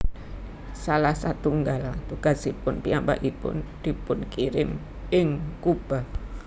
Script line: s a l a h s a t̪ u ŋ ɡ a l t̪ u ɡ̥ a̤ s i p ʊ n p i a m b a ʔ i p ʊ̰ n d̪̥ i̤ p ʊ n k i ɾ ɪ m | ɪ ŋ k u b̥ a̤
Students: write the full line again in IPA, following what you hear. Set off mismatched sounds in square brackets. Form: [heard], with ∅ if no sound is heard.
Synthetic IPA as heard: s a l a h s a t̪ u ŋ ɡ a l t̪ u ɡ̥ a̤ s i p ʊ n p i a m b a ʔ i p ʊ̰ n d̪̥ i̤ p ʊ n k i ɾ ɪ m | ɪ ŋ k u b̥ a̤